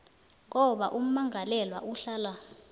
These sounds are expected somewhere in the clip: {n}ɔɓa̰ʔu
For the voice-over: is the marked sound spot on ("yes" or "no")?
no